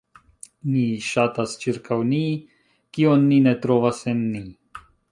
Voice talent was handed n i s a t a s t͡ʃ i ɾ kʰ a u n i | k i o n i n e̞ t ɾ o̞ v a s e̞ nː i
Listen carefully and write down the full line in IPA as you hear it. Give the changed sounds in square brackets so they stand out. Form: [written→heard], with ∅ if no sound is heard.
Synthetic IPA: n i [s→ʃ] a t a s t͡ʃ i ɾ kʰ a [u→w] n i | k i o [n→nː] i n e̞ t ɾ o̞ v a s e̞ nː i